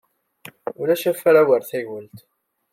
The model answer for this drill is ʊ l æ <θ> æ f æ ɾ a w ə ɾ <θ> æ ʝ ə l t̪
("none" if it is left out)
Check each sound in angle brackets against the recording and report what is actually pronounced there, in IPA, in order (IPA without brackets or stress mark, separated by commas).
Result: ʃ, θ